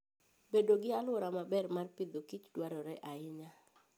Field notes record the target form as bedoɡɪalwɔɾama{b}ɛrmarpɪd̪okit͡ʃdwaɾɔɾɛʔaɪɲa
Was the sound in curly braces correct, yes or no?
yes